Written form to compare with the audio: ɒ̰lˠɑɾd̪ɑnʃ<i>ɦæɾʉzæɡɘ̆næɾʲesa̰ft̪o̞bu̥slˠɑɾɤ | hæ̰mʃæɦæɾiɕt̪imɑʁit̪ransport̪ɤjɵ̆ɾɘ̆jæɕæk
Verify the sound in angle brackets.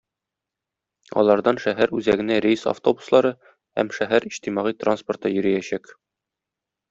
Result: incorrect: æ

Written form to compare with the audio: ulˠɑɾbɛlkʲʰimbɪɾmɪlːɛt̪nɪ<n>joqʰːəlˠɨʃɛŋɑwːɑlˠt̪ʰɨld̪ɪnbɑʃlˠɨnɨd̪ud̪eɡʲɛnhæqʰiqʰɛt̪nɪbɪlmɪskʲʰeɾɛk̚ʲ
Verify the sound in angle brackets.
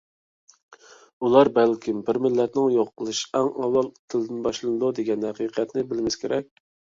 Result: incorrect: ŋ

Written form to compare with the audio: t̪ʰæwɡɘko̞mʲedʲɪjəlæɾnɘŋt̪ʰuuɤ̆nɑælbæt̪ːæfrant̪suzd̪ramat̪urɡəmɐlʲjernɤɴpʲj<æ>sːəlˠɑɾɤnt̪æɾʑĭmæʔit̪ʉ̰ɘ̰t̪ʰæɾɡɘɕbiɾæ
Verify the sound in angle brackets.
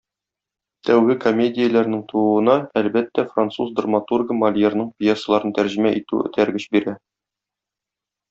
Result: incorrect: e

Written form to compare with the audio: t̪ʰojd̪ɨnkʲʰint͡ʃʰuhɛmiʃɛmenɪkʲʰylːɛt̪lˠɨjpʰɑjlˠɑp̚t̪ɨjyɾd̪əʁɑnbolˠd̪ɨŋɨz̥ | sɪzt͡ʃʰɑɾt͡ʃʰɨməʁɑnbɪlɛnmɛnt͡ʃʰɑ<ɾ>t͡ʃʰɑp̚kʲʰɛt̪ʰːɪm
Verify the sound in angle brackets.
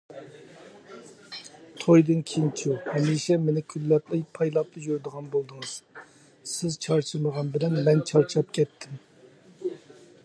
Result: correct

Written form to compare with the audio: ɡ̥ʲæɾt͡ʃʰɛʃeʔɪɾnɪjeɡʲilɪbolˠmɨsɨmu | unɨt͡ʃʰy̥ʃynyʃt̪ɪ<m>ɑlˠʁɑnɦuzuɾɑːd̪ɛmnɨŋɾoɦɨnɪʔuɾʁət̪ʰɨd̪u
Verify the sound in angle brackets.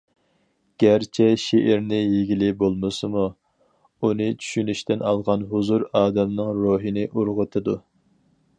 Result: incorrect: n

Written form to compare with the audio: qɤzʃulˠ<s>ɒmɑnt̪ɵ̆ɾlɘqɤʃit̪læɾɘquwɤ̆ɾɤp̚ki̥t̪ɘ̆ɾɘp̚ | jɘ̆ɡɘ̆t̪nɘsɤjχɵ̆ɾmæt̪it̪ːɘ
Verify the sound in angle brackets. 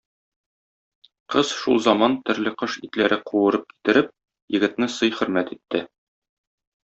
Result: incorrect: z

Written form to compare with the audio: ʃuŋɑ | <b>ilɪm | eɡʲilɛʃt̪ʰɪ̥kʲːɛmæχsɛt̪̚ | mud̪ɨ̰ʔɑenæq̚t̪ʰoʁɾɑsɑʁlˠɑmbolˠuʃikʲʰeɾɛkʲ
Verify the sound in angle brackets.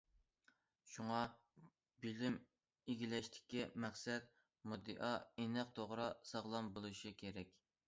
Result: correct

